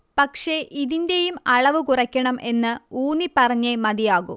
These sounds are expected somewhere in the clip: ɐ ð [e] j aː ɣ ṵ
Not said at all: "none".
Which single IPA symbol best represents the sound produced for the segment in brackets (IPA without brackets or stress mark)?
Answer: i